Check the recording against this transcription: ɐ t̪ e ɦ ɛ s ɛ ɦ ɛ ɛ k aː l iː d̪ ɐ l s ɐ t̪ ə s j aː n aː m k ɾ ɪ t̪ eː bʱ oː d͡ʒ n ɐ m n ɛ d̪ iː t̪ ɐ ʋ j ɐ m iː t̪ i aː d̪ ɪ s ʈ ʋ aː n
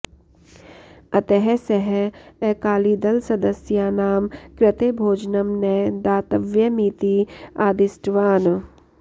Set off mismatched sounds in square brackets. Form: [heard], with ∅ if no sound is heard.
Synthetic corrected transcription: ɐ t̪ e ɦ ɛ s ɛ ɦ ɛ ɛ k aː l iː d̪ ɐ l s ɐ [d̪] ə s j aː n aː m k ɾ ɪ t̪ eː bʱ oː d͡ʒ n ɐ m n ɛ d̪ [aː] t̪ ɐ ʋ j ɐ m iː t̪ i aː d̪ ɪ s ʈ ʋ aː n